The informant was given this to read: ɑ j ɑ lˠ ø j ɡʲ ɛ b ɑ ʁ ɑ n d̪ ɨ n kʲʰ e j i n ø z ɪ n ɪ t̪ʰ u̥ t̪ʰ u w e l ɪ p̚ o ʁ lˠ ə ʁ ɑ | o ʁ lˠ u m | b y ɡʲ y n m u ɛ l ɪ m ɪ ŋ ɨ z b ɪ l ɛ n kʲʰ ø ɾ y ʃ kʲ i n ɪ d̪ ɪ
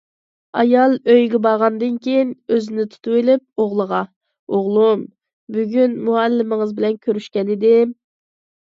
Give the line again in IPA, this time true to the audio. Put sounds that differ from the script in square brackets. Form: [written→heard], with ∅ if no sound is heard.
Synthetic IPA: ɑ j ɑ lˠ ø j ɡʲ ɛ b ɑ ʁ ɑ n d̪ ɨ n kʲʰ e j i n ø z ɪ n ɪ t̪ʰ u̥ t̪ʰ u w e l ɪ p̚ o ʁ lˠ ə ʁ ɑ | o ʁ lˠ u m | b y ɡʲ y n m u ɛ [l→lː] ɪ m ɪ ŋ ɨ z b ɪ l ɛ n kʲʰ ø ɾ y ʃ kʲ [i→ɛ] n ɪ d̪ ɪ

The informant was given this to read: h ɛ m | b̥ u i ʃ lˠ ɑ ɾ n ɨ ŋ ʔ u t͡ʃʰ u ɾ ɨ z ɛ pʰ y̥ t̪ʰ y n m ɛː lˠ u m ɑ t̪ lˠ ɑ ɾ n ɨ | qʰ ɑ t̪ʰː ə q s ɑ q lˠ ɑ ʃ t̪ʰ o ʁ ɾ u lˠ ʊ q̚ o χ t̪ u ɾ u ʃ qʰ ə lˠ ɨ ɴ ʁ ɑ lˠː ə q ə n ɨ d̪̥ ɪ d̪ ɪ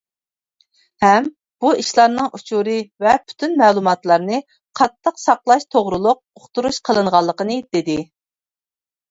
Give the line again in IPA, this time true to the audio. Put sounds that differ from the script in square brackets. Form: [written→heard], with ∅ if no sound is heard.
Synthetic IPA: h ɛ m | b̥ u i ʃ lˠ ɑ ɾ n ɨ ŋ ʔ u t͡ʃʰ u ɾ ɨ [z→v] ɛ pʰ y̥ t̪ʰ y n m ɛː lˠ u m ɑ t̪ lˠ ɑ ɾ n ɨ | qʰ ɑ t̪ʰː ə q s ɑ q lˠ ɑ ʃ t̪ʰ o ʁ ɾ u lˠ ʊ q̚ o χ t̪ u ɾ u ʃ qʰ ə lˠ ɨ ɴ ʁ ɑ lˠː ə q ə n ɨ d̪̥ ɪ d̪ ɪ

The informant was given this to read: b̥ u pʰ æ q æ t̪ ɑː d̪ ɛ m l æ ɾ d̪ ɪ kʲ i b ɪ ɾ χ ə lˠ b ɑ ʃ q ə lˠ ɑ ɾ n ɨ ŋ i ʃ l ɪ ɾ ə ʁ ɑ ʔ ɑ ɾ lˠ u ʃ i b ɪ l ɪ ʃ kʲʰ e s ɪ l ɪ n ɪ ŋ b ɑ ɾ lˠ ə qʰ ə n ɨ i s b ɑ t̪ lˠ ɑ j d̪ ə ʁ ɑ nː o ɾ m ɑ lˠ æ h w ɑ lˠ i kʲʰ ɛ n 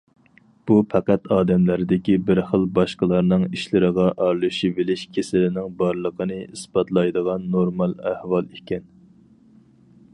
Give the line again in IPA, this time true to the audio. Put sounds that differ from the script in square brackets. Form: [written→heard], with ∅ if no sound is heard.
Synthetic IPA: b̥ u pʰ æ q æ t̪ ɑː d̪ ɛ m l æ ɾ d̪ ɪ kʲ i b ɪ ɾ χ ə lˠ b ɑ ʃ q ə lˠ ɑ ɾ n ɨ ŋ i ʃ l ɪ ɾ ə ʁ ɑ ʔ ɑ ɾ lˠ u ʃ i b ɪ l ɪ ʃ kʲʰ e s ɪ l ɪ n ɪ ŋ b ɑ ɾ lˠ ə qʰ ə n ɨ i s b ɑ t̪ lˠ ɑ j d̪ ə ʁ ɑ nː o ɾ m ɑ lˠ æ h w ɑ lˠ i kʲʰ ɛ n

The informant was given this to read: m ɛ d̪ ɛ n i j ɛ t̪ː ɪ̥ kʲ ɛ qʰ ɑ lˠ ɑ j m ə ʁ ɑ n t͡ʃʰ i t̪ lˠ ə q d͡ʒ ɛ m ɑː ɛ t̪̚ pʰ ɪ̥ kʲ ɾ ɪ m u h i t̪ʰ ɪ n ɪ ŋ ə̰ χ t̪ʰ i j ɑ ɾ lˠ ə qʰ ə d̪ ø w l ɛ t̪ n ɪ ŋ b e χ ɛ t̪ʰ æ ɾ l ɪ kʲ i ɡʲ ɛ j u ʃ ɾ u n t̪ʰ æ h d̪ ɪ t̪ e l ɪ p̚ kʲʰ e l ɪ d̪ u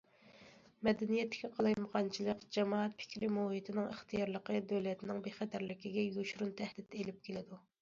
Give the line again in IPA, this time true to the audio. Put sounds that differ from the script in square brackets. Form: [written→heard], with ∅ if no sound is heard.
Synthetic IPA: m ɛ d̪ ɛ n i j ɛ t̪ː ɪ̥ kʲ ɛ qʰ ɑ lˠ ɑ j m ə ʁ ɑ n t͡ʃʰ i [t̪→∅] lˠ ə q d͡ʒ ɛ m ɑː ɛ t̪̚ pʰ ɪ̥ kʲ ɾ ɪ m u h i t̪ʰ ɪ n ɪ ŋ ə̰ χ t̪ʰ i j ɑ ɾ lˠ ə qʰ ə d̪ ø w l ɛ t̪ n ɪ ŋ b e χ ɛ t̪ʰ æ ɾ l ɪ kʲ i ɡʲ ɛ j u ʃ ɾ u n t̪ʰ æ h d̪ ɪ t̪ e l ɪ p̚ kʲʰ e l ɪ d̪ u

